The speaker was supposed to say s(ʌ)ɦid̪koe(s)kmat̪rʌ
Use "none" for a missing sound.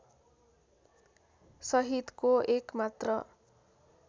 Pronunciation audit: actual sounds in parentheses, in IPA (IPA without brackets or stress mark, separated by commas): ʌ, none